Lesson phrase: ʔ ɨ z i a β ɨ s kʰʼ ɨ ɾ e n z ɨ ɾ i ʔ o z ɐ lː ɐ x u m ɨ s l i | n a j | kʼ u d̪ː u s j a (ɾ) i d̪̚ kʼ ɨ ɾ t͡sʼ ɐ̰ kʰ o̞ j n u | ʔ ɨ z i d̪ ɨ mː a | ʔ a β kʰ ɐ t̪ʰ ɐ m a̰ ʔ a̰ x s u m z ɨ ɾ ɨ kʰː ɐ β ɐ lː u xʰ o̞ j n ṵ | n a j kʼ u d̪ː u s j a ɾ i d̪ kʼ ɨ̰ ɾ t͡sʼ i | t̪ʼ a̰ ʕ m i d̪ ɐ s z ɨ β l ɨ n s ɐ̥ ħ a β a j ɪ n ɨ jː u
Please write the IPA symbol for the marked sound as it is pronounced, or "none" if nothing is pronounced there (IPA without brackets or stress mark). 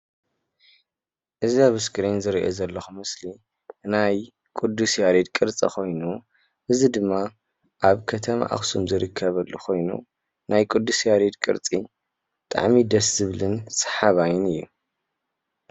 ɾ